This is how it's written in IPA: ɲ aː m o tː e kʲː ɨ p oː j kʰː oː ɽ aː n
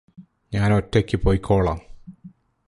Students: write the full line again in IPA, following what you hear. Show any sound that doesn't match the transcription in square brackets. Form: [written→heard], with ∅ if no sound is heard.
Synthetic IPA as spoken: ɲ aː [m→n] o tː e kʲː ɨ p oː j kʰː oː [ɽ→ɭ] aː [n→m]